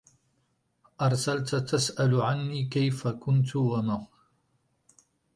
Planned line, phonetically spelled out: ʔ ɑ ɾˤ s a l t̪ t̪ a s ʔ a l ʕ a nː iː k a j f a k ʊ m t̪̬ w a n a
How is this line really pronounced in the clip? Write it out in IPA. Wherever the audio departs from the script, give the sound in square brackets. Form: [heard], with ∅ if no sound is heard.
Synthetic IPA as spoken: ʔ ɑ ɾˤ s a l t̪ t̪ a s ʔ a l ʕ a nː iː k a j f a k ʊ [n] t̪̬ w a [m] a

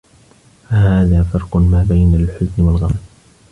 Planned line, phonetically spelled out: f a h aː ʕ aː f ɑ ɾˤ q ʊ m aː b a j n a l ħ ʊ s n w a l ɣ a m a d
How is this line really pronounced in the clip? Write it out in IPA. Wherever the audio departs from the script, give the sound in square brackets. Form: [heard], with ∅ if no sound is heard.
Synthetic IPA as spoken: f a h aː [ð] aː f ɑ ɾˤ q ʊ m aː b a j n a l ħ ʊ [z] n w a l ɣ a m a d

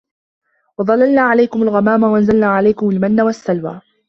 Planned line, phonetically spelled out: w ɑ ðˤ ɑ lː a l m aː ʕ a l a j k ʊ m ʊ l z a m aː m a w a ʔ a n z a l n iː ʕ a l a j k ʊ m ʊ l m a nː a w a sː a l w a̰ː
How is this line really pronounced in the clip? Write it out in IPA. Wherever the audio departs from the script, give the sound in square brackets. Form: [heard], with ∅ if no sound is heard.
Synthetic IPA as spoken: w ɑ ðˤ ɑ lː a l [n] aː ʕ a l a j k ʊ m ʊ l [ɣ] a m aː m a w a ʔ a n z a l n [aː] ʕ a l a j k ʊ m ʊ l m a nː a w a sː a l w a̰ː

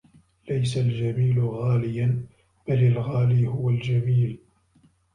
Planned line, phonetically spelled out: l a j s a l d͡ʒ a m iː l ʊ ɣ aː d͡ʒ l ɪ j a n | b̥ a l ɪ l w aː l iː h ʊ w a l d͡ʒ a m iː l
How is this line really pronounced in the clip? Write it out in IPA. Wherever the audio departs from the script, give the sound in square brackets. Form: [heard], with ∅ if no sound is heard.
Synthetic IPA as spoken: l a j s a l d͡ʒ a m iː l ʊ ɣ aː [∅] l ɪ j a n | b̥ a l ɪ l [ɣ] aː l iː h ʊ w a l d͡ʒ a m iː l

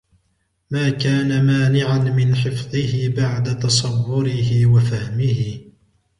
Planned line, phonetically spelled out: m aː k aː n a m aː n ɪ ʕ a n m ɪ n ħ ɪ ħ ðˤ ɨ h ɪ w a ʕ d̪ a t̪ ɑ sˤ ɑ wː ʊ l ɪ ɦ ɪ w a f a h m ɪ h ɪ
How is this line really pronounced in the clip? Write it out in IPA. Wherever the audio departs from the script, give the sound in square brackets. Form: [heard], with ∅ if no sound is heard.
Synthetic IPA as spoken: m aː k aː n a m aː n ɪ ʕ a n m ɪ n ħ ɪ [f] ðˤ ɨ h ɪ [b] a ʕ d̪ a t̪ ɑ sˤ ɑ wː ʊ [ɾ] ɪ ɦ ɪ w a f a h m ɪ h ɪ

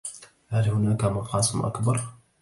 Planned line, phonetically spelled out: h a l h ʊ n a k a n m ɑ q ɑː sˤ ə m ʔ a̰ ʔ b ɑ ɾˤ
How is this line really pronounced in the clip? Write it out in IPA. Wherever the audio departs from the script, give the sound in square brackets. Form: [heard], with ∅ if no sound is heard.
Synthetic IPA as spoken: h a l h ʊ n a k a [∅] m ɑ q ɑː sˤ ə m ʔ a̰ [k] b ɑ ɾˤ

